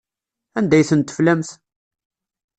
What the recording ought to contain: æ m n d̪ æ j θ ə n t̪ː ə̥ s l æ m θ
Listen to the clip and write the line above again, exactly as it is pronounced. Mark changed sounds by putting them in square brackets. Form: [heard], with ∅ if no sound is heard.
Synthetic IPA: æ [∅] n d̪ æ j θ ə n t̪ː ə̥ [f] l æ m θ